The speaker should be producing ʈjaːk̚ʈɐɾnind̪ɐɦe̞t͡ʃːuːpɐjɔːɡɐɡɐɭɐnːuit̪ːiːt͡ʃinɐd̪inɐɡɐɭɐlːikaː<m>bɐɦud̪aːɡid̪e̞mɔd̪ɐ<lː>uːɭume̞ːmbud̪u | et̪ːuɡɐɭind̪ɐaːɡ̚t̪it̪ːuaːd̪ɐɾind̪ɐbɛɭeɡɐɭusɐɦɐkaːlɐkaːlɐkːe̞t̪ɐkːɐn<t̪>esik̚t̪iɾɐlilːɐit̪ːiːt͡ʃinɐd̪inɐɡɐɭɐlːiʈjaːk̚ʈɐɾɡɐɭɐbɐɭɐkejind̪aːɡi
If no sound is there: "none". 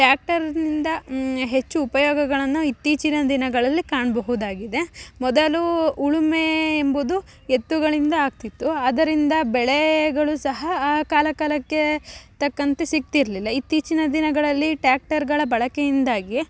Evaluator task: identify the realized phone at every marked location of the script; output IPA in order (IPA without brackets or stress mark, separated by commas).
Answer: ɳ, l, t̪